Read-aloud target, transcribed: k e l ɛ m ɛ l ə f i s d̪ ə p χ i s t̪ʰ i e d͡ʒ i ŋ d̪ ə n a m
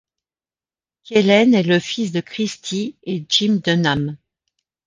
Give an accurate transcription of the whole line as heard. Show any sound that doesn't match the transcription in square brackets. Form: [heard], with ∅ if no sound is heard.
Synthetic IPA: k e l ɛ [n] ɛ l ə f i s d̪ ə [k] χ i s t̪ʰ i e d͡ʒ i [m] d̪ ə n a m